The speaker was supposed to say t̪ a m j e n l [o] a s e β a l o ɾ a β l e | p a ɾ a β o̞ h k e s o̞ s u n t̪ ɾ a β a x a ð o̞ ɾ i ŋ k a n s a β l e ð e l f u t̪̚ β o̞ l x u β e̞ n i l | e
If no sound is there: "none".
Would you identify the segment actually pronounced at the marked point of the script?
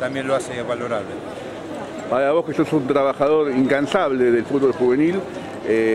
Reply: o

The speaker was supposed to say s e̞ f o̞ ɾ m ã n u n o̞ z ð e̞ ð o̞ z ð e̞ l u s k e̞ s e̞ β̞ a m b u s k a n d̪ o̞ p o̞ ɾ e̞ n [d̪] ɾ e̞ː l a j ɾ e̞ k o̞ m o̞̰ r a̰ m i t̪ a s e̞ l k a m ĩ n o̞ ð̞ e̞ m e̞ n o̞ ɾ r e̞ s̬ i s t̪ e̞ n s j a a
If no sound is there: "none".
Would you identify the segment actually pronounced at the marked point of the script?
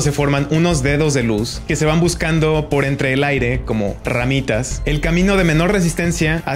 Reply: t̪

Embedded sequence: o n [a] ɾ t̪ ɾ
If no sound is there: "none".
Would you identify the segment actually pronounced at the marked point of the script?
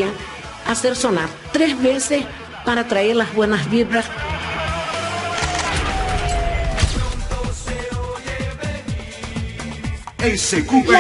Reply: a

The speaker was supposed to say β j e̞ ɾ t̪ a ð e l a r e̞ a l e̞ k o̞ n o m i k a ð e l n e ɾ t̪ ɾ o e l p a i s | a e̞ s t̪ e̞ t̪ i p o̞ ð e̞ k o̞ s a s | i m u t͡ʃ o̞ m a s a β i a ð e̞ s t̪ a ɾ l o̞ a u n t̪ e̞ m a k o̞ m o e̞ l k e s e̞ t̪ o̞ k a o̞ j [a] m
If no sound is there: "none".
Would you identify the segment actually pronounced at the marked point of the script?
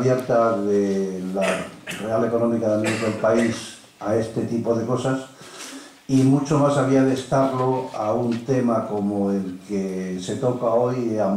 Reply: a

